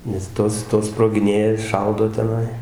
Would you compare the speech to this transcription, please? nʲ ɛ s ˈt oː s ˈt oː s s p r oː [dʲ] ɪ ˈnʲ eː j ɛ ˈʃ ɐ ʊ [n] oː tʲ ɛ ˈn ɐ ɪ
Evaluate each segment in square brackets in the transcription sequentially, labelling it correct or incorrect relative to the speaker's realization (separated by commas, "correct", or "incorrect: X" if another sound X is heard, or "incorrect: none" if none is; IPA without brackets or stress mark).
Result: incorrect: ɡʲ, incorrect: d